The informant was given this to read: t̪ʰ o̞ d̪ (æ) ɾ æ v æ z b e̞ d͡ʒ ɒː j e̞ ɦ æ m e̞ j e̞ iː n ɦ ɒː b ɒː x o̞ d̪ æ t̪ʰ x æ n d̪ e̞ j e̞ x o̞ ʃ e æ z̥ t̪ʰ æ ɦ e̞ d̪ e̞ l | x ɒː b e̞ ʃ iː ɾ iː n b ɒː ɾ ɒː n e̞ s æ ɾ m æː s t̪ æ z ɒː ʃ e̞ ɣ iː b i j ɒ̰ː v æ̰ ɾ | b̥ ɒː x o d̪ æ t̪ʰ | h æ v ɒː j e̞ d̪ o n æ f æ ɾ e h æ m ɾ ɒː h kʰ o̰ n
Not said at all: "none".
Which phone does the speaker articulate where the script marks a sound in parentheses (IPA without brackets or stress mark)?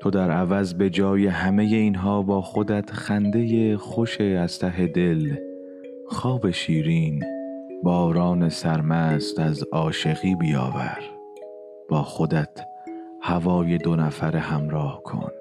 æ